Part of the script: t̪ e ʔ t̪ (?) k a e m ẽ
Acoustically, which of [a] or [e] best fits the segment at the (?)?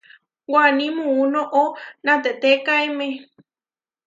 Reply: e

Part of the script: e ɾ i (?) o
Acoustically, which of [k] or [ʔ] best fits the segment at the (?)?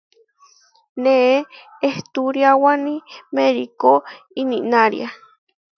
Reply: k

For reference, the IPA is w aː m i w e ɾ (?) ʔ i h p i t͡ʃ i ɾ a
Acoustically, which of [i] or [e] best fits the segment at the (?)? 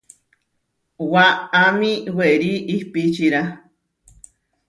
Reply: i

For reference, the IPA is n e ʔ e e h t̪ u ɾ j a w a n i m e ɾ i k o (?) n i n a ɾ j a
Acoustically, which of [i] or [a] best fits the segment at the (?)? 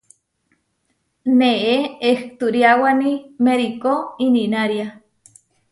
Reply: i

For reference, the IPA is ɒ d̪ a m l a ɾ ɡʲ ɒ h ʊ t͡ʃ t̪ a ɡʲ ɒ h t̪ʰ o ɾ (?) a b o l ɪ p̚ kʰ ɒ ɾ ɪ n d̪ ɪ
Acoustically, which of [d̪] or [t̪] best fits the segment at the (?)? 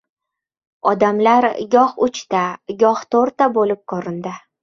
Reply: t̪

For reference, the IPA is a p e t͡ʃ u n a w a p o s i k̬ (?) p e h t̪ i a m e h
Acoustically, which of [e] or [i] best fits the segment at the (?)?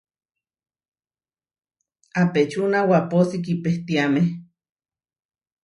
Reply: i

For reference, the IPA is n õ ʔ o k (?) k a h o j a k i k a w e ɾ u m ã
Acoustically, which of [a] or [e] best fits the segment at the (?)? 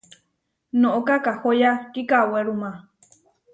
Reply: a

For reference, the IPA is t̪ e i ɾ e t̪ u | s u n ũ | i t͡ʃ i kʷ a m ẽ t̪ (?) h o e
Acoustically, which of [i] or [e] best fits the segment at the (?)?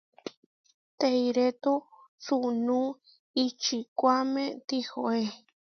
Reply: i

